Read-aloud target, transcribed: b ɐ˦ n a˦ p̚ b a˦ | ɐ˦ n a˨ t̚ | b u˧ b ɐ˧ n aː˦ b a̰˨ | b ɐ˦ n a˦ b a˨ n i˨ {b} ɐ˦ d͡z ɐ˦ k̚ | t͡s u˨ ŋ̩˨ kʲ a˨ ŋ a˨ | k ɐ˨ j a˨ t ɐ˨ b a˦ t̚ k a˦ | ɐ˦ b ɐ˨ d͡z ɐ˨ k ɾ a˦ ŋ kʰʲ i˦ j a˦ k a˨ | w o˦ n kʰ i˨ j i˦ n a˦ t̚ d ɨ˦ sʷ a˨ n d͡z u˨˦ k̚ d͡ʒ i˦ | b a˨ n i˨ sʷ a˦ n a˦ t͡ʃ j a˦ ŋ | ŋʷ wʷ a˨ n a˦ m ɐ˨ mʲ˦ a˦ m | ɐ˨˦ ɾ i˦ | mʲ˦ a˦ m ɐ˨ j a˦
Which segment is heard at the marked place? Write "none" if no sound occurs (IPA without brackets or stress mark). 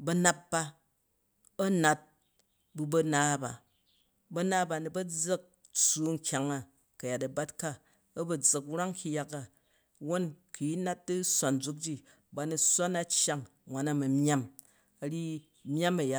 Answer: b